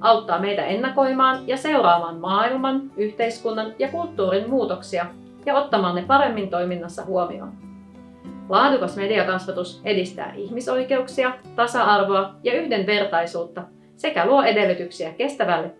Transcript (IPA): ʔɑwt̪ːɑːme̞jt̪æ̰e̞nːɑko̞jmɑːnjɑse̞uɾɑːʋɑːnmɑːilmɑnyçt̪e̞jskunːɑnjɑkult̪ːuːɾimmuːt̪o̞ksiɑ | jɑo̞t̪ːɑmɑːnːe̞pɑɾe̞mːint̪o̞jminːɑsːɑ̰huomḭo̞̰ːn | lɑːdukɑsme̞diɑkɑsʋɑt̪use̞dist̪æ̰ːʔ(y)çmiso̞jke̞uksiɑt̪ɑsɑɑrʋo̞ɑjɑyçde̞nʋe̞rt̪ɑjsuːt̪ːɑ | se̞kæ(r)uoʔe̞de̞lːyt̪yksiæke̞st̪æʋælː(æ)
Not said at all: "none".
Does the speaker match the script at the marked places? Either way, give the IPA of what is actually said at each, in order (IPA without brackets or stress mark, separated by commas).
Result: i, l, e